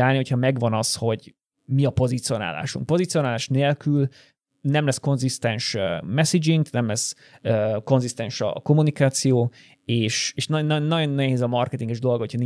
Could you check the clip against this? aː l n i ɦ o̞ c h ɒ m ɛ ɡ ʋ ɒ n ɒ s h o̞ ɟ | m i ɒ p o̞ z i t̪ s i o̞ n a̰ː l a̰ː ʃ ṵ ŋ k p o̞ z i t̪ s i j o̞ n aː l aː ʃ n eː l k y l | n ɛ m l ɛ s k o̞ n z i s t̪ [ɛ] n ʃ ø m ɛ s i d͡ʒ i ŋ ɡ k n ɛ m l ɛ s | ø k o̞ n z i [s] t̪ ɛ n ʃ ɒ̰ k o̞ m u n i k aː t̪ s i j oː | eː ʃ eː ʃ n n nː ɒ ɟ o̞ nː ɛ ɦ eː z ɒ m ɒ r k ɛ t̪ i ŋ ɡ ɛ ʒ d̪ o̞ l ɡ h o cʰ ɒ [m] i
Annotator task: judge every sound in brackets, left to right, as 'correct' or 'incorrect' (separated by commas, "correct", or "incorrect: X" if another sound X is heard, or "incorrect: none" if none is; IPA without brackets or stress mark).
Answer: correct, correct, incorrect: n